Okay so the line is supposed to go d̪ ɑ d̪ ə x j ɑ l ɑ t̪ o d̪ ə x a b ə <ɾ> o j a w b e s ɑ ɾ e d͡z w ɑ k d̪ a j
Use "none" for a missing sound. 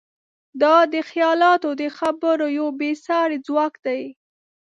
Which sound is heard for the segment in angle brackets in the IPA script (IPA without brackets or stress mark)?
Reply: ɾ